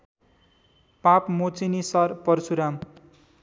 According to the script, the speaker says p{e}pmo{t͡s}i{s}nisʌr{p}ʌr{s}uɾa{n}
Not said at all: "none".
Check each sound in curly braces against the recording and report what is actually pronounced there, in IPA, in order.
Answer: a, t͡s, none, p, s, m

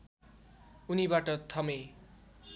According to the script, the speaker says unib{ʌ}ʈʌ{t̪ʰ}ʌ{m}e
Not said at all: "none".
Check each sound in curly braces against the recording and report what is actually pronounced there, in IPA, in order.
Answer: a, t̪ʰ, m

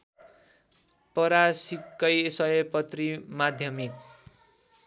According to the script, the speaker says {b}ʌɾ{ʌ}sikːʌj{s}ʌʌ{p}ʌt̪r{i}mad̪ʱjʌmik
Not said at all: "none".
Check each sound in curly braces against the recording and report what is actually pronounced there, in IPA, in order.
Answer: p, a, s, p, i

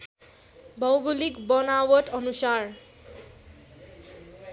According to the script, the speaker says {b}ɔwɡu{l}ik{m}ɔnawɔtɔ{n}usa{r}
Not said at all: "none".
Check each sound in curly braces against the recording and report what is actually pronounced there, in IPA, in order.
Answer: b, l, b, n, ɹ

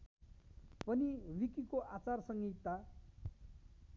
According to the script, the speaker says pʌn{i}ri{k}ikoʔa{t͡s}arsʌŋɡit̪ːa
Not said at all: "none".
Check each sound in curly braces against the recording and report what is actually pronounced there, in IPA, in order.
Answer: i, k, t͡s

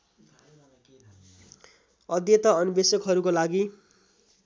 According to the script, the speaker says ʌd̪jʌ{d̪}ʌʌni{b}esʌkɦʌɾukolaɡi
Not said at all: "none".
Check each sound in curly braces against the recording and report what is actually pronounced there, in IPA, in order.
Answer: t̪, b

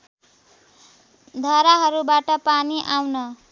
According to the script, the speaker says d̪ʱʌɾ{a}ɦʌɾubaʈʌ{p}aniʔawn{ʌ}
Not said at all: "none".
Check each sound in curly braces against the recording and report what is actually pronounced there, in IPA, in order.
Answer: a, p, ʌ

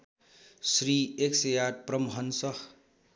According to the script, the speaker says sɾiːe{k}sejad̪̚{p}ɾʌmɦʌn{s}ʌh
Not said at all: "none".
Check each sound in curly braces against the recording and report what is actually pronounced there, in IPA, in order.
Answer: k, p, s

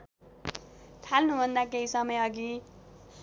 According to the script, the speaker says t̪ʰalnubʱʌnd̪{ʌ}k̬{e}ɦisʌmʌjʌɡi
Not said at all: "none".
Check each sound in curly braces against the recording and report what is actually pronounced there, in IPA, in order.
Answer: a, e

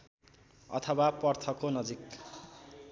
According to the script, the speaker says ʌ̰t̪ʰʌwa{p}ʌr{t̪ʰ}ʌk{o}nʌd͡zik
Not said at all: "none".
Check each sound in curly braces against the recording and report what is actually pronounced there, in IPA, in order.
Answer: p, t̪ʰ, o

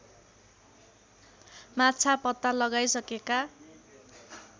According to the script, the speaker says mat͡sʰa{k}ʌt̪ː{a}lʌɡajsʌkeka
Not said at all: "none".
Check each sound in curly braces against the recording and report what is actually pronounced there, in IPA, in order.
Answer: p, a

